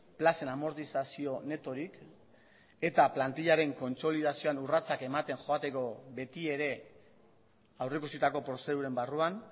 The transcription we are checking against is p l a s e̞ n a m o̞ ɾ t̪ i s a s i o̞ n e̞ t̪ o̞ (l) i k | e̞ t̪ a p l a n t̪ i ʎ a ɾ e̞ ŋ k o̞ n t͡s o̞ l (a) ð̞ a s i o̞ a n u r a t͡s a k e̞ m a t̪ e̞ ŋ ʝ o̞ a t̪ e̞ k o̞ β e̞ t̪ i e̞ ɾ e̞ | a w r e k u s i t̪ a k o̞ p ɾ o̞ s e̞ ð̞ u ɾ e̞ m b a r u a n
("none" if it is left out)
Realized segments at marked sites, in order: ɾ, i

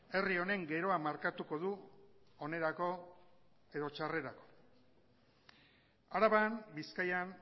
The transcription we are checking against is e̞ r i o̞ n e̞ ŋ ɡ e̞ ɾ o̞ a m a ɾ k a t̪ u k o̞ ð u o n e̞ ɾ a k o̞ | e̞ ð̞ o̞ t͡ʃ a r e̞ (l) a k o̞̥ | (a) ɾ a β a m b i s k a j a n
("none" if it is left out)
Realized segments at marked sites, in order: ɾ, a

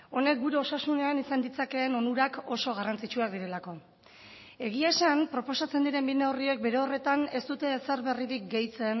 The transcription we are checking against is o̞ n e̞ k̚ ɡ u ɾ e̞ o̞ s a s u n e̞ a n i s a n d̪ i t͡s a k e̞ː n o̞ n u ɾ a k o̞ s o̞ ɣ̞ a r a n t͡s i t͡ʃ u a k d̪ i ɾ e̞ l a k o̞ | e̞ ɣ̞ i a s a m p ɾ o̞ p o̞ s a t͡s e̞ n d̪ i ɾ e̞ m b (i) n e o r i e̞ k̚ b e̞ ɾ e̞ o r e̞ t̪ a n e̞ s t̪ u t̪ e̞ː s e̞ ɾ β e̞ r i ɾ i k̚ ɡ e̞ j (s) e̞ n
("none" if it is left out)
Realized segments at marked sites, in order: i, t͡s

